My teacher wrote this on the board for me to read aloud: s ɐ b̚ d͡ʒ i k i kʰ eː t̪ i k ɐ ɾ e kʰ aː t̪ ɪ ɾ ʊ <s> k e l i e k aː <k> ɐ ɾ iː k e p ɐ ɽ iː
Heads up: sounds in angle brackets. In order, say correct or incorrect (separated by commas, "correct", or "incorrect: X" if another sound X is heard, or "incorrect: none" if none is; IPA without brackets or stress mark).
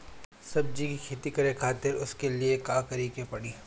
correct, correct